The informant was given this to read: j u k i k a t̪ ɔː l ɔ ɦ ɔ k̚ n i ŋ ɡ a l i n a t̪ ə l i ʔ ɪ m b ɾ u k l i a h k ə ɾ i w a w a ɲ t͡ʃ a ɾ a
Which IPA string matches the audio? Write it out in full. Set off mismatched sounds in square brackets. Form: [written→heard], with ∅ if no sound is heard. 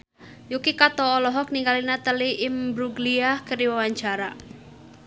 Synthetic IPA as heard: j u k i k a t̪ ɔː l ɔ ɦ ɔ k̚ n i ŋ ɡ a l i n a t̪ ə l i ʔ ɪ m b ɾ u [k→ɡ] l i a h k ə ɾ i w a w a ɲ t͡ʃ a ɾ a